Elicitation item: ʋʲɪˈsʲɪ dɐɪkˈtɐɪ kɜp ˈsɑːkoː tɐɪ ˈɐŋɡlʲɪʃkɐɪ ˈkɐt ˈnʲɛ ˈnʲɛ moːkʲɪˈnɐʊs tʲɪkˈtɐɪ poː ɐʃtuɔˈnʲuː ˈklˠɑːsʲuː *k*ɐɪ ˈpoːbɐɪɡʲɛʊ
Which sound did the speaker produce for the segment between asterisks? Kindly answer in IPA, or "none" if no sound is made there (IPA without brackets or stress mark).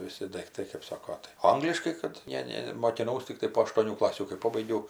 k